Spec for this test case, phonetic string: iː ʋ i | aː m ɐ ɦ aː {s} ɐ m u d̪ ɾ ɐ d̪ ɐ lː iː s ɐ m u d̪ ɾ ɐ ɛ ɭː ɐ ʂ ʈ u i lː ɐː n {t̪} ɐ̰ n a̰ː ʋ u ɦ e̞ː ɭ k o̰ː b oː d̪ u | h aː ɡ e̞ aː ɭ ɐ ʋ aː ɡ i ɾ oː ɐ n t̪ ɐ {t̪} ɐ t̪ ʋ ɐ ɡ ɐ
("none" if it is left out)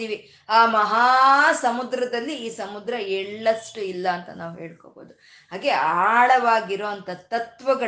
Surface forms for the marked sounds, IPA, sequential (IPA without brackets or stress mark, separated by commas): s, t̪, t̪